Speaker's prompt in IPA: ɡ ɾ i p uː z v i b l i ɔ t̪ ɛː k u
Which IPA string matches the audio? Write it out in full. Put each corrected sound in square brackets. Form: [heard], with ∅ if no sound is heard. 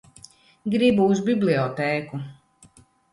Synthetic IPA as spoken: ɡ ɾ i [b] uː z [b] i b l i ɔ t̪ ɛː k u